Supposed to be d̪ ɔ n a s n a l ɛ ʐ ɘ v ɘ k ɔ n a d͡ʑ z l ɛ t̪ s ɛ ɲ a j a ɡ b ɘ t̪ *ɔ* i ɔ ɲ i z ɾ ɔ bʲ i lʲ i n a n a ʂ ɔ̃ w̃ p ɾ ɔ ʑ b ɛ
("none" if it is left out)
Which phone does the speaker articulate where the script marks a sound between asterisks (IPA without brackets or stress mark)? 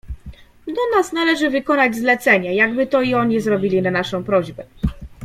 ɔ